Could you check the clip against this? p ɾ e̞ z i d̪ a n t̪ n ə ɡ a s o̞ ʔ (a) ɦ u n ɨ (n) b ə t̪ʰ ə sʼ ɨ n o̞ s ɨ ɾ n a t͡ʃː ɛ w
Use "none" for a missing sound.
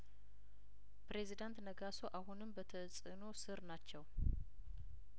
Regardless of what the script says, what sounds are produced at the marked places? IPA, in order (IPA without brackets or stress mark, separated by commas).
a, m